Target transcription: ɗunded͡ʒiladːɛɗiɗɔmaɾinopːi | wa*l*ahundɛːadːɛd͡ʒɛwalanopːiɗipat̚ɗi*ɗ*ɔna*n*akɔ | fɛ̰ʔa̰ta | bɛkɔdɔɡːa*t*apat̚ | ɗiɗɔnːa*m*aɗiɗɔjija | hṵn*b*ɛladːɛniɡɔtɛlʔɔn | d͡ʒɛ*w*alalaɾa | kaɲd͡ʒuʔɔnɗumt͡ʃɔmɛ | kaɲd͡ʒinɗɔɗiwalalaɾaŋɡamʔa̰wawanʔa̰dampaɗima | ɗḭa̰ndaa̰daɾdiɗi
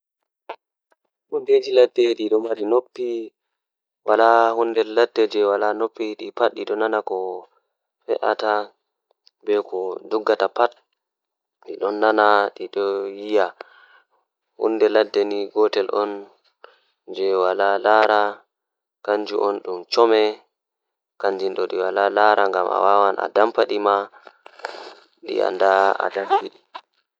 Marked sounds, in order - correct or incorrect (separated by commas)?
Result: correct, correct, correct, correct, incorrect, incorrect, correct